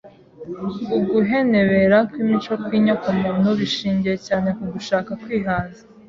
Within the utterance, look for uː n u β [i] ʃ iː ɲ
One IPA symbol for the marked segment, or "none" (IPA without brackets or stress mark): i